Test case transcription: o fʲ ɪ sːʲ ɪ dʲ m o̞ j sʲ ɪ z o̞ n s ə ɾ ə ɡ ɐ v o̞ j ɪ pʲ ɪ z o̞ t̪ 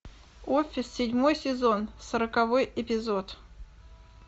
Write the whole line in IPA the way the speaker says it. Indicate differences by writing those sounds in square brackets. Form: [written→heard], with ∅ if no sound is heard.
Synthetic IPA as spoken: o fʲ ɪ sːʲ ɪ dʲ m o̞ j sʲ ɪ z o̞ n s ə ɾ ə [ɡ→k] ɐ v o̞ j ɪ pʲ ɪ z o̞ t̪